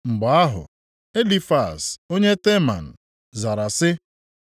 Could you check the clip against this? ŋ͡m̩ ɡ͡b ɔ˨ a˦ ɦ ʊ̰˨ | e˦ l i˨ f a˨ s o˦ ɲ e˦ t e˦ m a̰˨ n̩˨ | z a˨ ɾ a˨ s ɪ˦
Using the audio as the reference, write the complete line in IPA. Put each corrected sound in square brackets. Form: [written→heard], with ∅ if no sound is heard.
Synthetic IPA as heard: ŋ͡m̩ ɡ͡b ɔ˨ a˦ ɦ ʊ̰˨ | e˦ l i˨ f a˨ s o˦ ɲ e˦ t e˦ m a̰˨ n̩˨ | z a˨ ɾ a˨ s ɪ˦